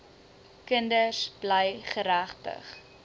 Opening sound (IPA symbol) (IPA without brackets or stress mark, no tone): k